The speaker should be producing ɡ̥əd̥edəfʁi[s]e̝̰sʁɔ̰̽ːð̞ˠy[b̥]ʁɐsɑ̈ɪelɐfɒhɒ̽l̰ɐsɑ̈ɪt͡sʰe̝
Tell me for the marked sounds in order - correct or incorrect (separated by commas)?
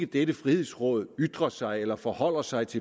incorrect, incorrect